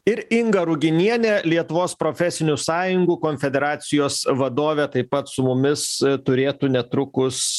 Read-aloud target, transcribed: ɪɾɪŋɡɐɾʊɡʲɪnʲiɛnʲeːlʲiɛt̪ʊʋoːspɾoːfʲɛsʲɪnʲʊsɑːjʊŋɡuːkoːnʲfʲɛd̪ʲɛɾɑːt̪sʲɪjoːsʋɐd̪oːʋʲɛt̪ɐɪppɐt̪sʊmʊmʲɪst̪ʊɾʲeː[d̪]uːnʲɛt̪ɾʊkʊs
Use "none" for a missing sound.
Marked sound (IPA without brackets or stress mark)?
t̪